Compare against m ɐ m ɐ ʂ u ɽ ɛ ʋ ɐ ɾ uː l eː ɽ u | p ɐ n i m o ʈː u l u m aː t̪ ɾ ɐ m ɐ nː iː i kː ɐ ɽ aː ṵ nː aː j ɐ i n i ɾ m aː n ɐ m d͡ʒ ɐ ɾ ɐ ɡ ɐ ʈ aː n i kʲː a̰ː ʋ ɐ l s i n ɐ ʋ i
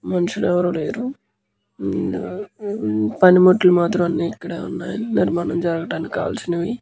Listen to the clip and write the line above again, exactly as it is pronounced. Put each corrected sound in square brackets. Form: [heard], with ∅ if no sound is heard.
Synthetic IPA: m ɐ [n] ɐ ʂ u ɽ ɛ ʋ ɐ ɾ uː l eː [ɾ] u | p ɐ n i m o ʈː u l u m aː t̪ ɾ ɐ m ɐ nː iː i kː ɐ ɽ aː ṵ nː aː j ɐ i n i ɾ m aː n ɐ m d͡ʒ ɐ ɾ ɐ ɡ ɐ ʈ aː n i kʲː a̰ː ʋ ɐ l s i n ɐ ʋ i